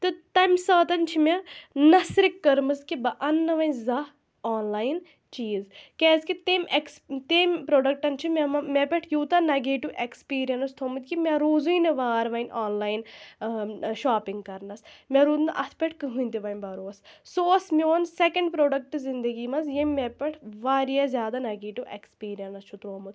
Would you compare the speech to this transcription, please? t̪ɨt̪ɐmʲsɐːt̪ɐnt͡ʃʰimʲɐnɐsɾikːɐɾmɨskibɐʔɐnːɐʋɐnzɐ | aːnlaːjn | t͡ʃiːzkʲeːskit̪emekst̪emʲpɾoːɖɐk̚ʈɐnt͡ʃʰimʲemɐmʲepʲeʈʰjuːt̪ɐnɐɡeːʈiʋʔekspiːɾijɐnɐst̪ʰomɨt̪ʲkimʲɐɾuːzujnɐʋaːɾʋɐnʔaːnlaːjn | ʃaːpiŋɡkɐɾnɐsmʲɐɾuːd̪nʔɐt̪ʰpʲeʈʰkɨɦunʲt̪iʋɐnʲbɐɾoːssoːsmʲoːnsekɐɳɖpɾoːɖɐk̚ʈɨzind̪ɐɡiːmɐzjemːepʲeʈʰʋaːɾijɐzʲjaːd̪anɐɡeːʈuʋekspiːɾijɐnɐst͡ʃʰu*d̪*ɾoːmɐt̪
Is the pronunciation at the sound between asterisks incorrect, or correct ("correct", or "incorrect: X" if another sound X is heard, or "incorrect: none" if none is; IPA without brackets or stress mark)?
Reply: incorrect: t̪